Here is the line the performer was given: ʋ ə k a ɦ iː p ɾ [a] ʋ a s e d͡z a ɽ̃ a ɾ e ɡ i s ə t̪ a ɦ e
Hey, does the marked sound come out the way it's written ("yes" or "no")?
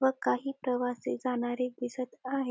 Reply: no